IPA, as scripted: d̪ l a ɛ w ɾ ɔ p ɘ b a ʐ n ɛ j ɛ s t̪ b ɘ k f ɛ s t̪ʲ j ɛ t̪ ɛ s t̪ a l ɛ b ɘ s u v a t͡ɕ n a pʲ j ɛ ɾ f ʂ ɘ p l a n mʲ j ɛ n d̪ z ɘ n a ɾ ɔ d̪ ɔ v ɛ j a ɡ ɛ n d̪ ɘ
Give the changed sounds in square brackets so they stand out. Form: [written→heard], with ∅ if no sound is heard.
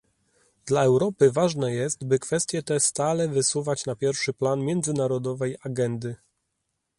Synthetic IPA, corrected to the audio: d̪ l a ɛ w ɾ ɔ p ɘ [b→v] a ʐ n ɛ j ɛ s t̪ b ɘ k f ɛ s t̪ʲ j ɛ t̪ ɛ s t̪ a l ɛ [b→v] ɘ s u v a t͡ɕ n a pʲ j ɛ ɾ f ʂ ɘ p l a n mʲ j ɛ n d̪ z ɘ n a ɾ ɔ d̪ ɔ v ɛ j a ɡ ɛ n d̪ ɘ